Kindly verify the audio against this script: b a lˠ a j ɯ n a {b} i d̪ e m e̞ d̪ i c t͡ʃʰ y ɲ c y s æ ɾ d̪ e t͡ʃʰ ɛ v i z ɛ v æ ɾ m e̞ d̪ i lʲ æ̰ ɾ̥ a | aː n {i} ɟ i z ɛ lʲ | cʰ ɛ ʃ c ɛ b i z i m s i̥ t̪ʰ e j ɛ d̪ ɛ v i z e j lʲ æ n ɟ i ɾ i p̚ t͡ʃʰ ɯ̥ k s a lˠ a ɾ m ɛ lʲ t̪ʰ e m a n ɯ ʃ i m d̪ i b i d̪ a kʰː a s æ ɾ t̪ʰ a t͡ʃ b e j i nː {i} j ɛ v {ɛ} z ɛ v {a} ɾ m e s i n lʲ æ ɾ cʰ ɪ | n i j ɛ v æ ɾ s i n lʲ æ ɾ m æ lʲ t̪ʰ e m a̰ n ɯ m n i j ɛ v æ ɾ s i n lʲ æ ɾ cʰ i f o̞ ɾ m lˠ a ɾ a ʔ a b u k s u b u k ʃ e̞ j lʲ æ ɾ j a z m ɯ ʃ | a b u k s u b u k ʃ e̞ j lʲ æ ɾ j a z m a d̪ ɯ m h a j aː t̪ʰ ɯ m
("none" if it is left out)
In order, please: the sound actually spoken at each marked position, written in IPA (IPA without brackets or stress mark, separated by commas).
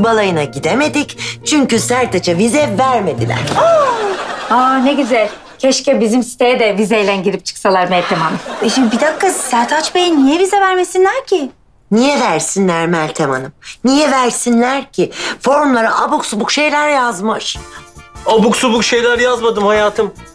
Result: ɟ, e, i, i, æ